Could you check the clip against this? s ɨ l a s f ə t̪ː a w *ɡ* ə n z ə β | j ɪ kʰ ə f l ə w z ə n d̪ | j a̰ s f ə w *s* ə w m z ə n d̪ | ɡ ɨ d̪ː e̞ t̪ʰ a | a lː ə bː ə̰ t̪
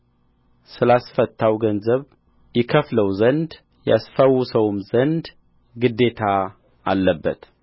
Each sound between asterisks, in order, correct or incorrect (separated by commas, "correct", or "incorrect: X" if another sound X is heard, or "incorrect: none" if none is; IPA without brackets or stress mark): correct, correct